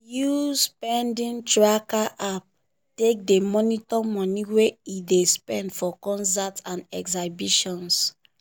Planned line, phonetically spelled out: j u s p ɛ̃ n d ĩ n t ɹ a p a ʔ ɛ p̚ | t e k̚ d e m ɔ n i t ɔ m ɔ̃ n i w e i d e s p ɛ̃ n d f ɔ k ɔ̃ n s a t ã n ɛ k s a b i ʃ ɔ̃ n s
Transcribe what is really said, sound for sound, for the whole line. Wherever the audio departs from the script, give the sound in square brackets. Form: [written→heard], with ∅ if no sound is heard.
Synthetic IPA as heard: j u s p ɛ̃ n d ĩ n t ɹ a [p→k] a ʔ [ɛ→a] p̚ | t e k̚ d e m ɔ n i t ɔ m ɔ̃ n i w e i d e s p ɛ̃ n d f ɔ k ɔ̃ n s a t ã n ɛ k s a b i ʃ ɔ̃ n s

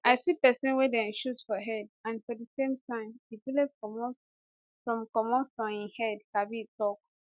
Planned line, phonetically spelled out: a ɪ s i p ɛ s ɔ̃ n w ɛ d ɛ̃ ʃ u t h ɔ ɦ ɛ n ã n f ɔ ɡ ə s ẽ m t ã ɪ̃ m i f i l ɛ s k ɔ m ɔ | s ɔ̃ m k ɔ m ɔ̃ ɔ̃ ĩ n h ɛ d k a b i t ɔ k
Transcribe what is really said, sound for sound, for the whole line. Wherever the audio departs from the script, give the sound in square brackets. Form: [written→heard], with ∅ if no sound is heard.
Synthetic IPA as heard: a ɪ s i p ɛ s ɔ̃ n w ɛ d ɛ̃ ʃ u t [h→f] ɔ ɦ ɛ [n→d] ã n f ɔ [ɡ→d] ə s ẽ m t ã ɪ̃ m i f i l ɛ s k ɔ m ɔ | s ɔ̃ m k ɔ m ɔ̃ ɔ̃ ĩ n h ɛ d k a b i t ɔ k

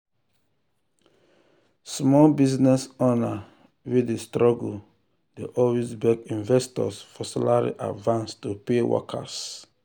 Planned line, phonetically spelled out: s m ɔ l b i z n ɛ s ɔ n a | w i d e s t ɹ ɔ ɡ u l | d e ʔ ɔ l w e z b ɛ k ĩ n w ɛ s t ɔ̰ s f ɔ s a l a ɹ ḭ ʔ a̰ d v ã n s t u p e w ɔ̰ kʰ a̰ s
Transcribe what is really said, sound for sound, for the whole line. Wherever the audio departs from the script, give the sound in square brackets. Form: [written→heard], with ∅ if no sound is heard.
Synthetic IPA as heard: s m ɔ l b i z n ɛ s ɔ n a | w i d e s t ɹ ɔ ɡ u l | d e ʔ ɔ l w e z b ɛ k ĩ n [w→v] ɛ s t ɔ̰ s f ɔ s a l a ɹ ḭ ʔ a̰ d v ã n s t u p e w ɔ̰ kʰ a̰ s

